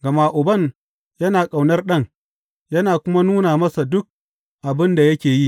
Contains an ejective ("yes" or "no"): yes